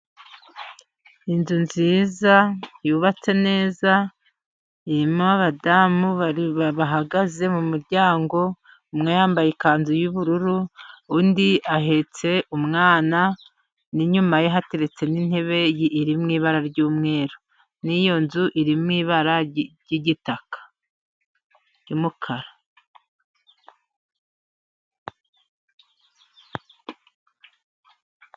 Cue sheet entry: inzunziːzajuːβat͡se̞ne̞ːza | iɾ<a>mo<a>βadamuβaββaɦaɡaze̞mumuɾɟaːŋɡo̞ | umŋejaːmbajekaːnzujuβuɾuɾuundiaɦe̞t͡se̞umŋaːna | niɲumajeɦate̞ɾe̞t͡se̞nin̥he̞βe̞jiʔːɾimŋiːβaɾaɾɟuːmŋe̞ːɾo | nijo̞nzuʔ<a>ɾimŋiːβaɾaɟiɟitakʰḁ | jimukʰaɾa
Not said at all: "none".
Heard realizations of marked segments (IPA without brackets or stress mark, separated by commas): i, a, i